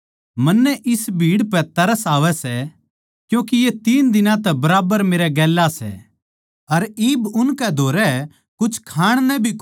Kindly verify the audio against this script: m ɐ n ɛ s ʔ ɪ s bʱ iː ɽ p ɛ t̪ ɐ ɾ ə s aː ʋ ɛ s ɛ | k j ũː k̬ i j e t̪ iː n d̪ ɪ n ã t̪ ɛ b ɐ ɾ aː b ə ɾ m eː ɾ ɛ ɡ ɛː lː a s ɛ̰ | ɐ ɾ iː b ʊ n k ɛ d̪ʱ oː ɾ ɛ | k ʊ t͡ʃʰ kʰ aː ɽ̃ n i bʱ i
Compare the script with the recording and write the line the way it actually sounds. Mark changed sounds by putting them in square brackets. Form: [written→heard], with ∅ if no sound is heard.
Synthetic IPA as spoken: m ɐ [n→nː] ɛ [s→∅] ʔ ɪ s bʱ iː ɽ p ɛ t̪ ɐ ɾ ə s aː ʋ ɛ s ɛ | k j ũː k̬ i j e t̪ iː n d̪ ɪ n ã t̪ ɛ b ɐ ɾ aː b ə ɾ m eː ɾ ɛ ɡ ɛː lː a s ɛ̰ | ɐ ɾ iː b ʊ n k ɛ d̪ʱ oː ɾ ɛ | k ʊ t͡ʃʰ kʰ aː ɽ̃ n [i→ɛ] bʱ i

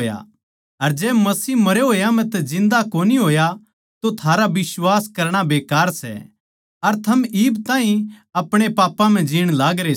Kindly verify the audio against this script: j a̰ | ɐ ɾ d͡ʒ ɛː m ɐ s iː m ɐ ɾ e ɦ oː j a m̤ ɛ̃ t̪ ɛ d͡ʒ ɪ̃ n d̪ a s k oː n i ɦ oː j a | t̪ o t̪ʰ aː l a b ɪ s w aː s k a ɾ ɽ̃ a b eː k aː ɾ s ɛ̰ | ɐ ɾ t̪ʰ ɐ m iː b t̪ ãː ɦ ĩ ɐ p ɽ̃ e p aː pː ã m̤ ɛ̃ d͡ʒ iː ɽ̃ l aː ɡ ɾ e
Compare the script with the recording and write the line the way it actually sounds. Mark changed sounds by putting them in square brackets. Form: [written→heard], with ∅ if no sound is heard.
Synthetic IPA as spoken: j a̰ | ɐ ɾ d͡ʒ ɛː m ɐ s iː m ɐ ɾ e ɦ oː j a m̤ ɛ̃ t̪ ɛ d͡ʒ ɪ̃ n d̪ a [s→∅] k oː n i ɦ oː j a | t̪ o t̪ʰ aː [l→ɾ] a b ɪ s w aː s k [a→ɐ] ɾ ɽ̃ a b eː k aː ɾ s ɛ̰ | ɐ ɾ t̪ʰ ɐ m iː b t̪ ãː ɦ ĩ ɐ p ɽ̃ e p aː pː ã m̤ ɛ̃ d͡ʒ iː ɽ̃ l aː ɡ ɾ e

